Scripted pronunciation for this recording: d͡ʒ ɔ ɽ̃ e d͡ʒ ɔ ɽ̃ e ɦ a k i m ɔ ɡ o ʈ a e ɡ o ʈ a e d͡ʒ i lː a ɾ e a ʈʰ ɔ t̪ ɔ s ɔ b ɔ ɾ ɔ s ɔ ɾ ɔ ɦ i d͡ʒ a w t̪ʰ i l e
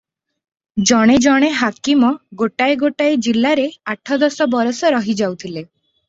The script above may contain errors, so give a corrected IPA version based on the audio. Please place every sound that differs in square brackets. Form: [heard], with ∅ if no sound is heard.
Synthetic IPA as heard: d͡ʒ ɔ ɽ̃ e d͡ʒ ɔ ɽ̃ e ɦ a k i m ɔ ɡ o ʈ a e ɡ o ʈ a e d͡ʒ i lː a ɾ e a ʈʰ ɔ [d̪] ɔ s ɔ b ɔ ɾ ɔ s ɔ ɾ ɔ ɦ i d͡ʒ a w t̪ʰ i l e

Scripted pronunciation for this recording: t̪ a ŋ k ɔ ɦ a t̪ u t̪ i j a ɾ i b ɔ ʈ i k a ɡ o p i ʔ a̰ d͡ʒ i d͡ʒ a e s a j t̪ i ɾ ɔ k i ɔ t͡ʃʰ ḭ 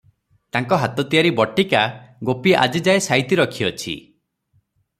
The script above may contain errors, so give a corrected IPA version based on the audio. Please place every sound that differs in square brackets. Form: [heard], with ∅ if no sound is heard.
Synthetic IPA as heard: t̪ a ŋ k ɔ ɦ a t̪ [ɔ] t̪ i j a ɾ i b ɔ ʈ i k a ɡ o p i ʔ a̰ d͡ʒ i d͡ʒ a e s a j t̪ i ɾ ɔ [kʰ] i ɔ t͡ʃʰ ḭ

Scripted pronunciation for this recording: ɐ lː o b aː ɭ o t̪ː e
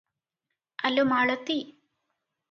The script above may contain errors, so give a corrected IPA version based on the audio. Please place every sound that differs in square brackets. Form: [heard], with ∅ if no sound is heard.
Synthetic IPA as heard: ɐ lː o [m] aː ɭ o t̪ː [i]

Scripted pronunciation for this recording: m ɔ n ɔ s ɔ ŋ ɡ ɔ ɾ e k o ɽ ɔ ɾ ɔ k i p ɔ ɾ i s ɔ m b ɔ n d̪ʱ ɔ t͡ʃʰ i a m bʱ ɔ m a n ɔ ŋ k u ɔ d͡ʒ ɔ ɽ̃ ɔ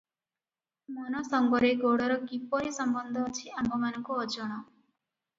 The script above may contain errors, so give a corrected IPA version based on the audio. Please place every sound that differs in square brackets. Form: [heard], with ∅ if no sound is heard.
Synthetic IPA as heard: m ɔ n ɔ s ɔ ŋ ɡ ɔ ɾ e [ɡ] o ɽ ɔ ɾ ɔ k i p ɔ ɾ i s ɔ m b ɔ n d̪ʱ ɔ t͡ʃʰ i a m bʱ ɔ m a n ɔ ŋ k u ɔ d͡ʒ ɔ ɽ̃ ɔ

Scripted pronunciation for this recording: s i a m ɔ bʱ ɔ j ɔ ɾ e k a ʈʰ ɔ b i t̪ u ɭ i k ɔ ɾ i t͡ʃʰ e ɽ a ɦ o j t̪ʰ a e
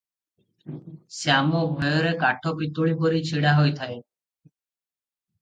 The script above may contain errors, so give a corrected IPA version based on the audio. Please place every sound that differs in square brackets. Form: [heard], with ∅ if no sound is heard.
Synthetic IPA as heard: s [e] a m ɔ bʱ ɔ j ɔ ɾ e k a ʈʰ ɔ [p] i t̪ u ɭ i [p] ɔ ɾ i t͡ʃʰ [i] ɽ a ɦ o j t̪ʰ a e

